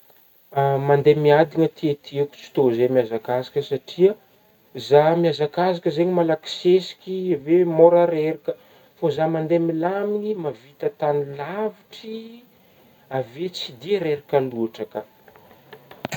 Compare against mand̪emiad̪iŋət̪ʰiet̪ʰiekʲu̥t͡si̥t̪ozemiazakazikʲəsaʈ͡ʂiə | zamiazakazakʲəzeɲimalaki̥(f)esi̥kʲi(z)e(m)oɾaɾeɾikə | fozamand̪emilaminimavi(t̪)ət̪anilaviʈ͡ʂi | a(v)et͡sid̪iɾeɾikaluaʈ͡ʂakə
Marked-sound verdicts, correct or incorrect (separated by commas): incorrect, incorrect, correct, correct, correct